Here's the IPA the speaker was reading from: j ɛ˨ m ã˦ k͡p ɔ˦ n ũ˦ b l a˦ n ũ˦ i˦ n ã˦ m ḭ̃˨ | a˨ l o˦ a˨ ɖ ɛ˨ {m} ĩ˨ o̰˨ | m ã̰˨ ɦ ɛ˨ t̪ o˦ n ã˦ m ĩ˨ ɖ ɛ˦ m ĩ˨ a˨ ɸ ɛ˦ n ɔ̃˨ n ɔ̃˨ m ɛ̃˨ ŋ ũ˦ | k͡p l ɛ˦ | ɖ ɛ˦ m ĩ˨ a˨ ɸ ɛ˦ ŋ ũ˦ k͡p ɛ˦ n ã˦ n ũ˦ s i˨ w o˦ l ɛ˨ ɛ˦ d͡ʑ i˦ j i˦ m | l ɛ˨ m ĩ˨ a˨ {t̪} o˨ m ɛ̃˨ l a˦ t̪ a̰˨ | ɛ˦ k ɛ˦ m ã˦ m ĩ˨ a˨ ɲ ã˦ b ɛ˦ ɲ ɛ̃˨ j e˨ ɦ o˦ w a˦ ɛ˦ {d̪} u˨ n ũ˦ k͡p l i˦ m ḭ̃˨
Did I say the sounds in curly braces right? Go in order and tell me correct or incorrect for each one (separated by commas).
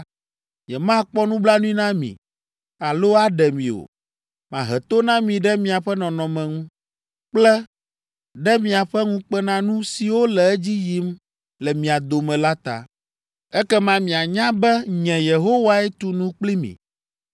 correct, incorrect, incorrect